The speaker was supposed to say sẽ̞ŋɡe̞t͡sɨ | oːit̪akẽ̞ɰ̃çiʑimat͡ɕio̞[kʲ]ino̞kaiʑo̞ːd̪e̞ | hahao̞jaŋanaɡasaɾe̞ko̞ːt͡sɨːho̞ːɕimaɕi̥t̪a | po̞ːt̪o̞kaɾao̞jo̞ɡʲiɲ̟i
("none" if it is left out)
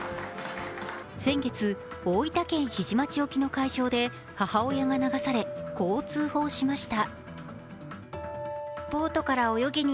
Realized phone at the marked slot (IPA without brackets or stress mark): kʲ